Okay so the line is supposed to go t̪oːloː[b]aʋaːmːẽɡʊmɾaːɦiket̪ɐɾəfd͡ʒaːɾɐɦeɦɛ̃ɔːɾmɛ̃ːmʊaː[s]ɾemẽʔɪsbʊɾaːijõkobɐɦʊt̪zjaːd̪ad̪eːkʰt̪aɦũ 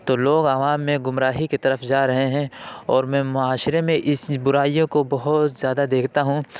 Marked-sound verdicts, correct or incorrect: incorrect, incorrect

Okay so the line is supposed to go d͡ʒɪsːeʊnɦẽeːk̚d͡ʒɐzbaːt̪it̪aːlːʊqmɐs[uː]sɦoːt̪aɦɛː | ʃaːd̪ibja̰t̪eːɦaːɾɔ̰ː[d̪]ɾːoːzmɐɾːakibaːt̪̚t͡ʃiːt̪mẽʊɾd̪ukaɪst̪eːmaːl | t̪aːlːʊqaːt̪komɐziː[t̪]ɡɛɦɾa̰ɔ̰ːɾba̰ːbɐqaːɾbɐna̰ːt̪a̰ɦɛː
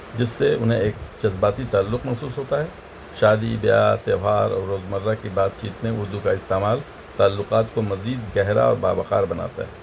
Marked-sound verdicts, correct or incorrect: correct, incorrect, incorrect

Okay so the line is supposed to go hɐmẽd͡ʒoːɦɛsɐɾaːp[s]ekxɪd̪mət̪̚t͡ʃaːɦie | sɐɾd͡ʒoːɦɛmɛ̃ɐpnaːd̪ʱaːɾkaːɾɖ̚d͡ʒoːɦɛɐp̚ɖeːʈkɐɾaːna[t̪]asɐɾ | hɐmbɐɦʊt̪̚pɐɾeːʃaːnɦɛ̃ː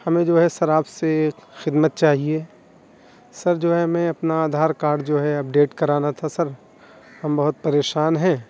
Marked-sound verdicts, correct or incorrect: correct, incorrect

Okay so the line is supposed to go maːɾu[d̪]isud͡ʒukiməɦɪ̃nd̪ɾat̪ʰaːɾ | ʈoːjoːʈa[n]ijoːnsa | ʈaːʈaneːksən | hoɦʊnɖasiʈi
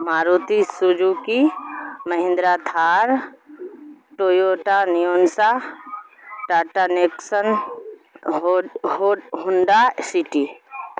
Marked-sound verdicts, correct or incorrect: incorrect, correct

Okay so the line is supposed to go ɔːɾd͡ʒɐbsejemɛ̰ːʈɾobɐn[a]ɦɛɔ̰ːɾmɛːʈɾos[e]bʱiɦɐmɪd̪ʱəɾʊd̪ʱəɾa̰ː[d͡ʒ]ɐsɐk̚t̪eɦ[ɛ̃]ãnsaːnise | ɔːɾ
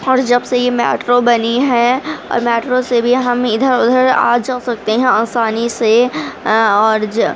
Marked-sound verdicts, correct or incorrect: incorrect, correct, correct, correct

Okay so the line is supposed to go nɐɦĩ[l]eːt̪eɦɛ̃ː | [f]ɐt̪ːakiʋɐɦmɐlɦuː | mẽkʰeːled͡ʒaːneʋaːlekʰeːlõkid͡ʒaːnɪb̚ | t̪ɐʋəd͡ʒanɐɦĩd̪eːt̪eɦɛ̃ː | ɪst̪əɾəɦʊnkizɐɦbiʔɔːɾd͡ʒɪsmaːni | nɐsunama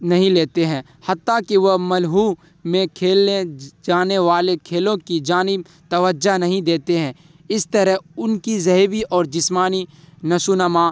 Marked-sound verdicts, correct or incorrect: correct, incorrect

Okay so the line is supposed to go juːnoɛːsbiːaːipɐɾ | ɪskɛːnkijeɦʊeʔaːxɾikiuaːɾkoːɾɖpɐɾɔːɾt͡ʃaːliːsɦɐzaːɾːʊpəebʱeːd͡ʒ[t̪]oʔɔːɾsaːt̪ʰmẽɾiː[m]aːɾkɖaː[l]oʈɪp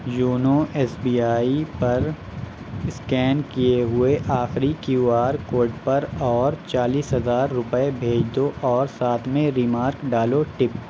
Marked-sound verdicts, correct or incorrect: incorrect, correct, correct

